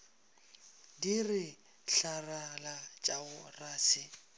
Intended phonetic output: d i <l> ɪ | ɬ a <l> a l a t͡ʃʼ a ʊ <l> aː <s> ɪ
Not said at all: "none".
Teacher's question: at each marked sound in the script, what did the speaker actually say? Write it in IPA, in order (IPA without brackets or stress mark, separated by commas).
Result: r, r, r, s